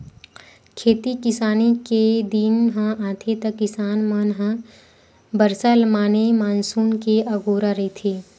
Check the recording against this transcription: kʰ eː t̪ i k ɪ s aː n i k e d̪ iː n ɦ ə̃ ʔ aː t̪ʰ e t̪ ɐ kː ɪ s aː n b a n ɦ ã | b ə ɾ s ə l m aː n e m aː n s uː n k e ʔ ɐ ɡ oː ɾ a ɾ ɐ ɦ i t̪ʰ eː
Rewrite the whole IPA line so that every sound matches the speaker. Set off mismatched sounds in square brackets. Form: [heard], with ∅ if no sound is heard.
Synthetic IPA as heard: kʰ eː t̪ i k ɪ s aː n i k e d̪ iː n ɦ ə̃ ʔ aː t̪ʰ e t̪ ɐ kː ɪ s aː n [m] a n ɦ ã | b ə ɾ s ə l m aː n e m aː n s uː n k e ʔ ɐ ɡ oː ɾ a ɾ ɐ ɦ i t̪ʰ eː